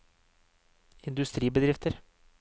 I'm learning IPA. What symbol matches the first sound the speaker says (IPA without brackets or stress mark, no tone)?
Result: ɪ